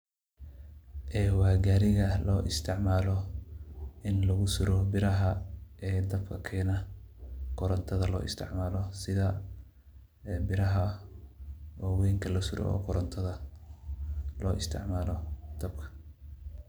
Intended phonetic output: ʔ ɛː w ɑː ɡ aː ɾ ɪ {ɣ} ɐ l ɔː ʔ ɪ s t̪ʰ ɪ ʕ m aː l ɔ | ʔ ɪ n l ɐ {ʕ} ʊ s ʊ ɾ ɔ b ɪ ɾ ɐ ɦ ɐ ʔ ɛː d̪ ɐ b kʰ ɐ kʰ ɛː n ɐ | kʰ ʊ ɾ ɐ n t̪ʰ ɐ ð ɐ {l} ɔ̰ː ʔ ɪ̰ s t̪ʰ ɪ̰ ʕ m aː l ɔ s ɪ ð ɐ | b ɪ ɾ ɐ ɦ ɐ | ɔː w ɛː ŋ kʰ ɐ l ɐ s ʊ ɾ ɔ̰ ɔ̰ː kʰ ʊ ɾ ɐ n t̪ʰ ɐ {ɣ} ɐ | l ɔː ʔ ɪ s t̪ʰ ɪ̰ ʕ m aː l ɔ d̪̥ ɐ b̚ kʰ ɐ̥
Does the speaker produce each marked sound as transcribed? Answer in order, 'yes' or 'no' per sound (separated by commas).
yes, no, yes, no